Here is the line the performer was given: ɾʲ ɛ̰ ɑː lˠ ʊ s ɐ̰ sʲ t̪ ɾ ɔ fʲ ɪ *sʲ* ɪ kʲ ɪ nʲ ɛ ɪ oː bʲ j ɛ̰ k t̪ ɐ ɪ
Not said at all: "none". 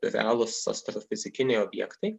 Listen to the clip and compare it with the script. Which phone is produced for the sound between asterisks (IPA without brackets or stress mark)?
zʲ